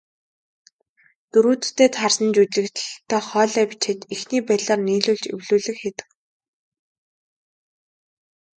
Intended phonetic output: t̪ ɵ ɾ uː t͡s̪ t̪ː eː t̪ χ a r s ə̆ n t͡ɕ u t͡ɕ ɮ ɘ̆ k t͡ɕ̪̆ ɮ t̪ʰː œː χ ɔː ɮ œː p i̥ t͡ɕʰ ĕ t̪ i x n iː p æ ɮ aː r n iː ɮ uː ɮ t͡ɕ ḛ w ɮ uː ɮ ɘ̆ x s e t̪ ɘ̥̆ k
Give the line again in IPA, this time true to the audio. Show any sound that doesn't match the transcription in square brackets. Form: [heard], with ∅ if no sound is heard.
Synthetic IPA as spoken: t̪ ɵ ɾ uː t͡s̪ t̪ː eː t̪ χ a r s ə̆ n t͡ɕ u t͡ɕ ɮ ɘ̆ k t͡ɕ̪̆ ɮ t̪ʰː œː χ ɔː ɮ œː p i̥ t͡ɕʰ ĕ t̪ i x n iː p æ ɮ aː r n iː ɮ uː ɮ t͡ɕ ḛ w ɮ uː ɮ ɘ̆ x [x] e t̪ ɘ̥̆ k